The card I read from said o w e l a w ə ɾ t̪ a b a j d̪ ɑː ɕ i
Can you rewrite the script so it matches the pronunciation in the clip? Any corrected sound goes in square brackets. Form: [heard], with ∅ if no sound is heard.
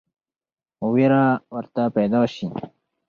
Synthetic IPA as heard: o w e [ɾ] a w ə ɾ t̪ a [p] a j d̪ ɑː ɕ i